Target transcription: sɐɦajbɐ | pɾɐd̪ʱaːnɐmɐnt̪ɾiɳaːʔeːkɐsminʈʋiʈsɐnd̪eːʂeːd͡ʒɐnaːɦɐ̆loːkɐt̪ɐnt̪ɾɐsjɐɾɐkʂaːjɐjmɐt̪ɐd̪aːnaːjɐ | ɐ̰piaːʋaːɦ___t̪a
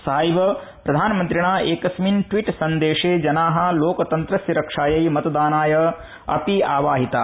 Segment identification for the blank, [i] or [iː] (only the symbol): i